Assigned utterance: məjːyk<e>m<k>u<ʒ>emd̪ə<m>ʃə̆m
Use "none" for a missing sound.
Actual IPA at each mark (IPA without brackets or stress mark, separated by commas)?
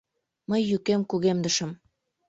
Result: e, k, ɣ, none